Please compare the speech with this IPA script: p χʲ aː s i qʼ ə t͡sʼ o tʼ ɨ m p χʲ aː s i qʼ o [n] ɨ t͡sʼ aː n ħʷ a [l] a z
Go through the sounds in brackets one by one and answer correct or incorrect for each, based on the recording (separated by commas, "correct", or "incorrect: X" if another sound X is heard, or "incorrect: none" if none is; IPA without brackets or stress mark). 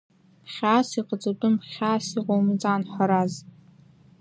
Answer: incorrect: m, incorrect: ɾ